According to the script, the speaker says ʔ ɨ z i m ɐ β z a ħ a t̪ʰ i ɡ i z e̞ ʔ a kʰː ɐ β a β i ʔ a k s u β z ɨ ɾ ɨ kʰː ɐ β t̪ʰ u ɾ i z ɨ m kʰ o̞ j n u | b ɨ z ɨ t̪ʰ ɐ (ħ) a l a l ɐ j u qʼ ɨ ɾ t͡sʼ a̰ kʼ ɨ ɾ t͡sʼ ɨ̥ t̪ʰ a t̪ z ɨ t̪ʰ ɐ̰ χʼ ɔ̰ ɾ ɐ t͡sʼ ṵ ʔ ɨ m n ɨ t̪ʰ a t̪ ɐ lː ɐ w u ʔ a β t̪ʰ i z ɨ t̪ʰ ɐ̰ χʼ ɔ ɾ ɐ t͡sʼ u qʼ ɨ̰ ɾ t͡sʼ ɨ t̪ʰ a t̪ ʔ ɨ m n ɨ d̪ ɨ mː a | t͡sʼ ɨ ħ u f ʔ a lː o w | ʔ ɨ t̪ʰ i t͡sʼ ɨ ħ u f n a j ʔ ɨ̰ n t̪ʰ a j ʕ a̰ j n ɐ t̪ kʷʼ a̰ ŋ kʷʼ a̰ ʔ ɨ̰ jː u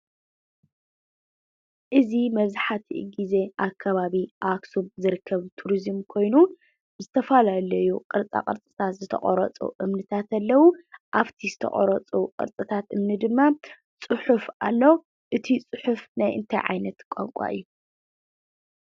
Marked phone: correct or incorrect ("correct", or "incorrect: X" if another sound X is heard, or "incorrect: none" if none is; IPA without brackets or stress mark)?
incorrect: f